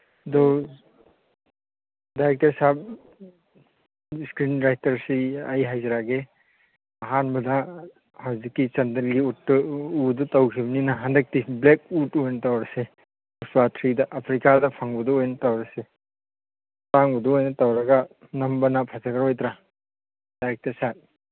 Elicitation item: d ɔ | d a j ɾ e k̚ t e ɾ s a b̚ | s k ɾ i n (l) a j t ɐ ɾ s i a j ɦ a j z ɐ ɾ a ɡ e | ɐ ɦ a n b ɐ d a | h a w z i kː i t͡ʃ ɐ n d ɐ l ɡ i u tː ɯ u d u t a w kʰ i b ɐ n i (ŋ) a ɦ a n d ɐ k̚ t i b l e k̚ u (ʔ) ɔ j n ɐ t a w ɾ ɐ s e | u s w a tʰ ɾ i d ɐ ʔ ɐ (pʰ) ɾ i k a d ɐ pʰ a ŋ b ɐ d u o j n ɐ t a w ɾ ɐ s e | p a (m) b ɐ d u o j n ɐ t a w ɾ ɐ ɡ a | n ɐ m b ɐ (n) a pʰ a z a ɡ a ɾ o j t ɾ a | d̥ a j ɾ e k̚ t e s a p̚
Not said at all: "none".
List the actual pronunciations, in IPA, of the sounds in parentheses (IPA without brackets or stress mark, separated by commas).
ɾ, n, t, pʰ, ŋ, n